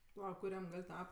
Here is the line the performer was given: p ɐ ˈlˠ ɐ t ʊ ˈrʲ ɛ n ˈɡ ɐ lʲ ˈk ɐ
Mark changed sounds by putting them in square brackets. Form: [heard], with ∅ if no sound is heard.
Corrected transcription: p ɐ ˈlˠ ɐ [k] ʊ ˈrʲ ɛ [m] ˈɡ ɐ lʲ [ˈt] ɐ

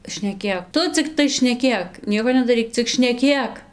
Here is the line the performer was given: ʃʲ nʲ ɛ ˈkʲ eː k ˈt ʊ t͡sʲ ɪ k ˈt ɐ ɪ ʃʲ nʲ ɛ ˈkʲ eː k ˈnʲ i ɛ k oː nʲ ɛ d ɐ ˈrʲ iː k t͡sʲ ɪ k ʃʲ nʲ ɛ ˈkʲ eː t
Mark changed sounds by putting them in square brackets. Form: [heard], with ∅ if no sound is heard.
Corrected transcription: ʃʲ nʲ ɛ ˈkʲ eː k ˈt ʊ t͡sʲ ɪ k ˈt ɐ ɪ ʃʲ nʲ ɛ ˈkʲ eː k ˈnʲ i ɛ k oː nʲ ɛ d ɐ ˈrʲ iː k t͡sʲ ɪ k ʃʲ nʲ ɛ ˈkʲ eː [k]

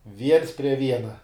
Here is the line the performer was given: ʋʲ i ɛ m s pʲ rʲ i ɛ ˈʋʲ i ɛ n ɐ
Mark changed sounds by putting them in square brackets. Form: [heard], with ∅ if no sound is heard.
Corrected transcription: ʋʲ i ɛ [n] s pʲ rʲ i ɛ ˈʋʲ i ɛ n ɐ

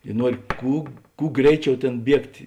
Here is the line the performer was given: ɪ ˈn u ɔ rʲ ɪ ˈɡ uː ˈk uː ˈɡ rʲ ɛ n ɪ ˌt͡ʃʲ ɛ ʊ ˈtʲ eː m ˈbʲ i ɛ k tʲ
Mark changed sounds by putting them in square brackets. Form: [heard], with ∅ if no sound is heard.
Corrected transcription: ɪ ˈn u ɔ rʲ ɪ [ˈk] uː ˈk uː ˈɡ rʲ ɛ [∅] ɪ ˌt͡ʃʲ ɛ ʊ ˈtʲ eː [n] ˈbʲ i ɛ k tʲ

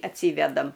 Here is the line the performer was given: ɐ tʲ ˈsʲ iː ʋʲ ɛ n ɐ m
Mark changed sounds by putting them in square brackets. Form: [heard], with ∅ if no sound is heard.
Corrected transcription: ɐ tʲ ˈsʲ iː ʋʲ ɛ [d] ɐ m

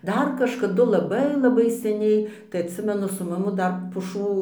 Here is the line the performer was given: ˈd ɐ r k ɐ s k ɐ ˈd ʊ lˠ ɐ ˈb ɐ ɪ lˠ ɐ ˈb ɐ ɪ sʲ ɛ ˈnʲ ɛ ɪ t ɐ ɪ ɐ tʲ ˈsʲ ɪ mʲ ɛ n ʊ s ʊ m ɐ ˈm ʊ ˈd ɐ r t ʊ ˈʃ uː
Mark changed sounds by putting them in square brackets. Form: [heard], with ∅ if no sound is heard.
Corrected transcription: ˈd ɐ r k ɐ [ʃ] k ɐ ˈd ʊ lˠ ɐ ˈb ɐ ɪ lˠ ɐ ˈb ɐ ɪ sʲ ɛ ˈnʲ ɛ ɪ t ɐ ɪ ɐ tʲ ˈsʲ ɪ mʲ ɛ n ʊ s ʊ m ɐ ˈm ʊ ˈd ɐ r [p] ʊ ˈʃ uː

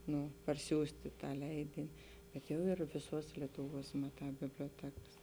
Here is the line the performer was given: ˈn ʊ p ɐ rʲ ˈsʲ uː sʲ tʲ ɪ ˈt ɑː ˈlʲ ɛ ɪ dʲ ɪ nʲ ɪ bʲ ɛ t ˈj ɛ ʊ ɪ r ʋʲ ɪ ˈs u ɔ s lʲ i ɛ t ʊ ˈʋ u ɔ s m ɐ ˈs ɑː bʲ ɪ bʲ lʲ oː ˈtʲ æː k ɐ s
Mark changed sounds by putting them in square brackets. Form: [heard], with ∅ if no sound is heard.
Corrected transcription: ˈn ʊ p ɐ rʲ ˈsʲ uː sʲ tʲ ɪ ˈt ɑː ˈlʲ ɛ ɪ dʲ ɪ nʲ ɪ bʲ ɛ t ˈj ɛ ʊ ɪ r ʋʲ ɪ ˈs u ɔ s lʲ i ɛ t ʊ ˈʋ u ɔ s m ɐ [ˈt] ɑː bʲ ɪ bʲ lʲ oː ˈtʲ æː k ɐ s

